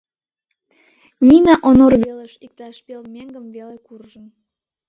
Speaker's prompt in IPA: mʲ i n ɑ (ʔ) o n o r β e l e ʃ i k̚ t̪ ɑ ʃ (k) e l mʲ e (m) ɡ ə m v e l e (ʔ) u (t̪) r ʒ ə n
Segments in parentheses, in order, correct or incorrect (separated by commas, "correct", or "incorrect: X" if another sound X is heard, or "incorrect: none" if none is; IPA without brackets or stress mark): correct, incorrect: p, incorrect: ŋ, incorrect: k, incorrect: none